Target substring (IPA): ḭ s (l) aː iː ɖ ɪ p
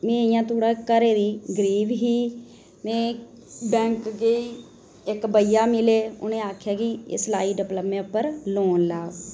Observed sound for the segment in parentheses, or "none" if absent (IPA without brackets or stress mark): l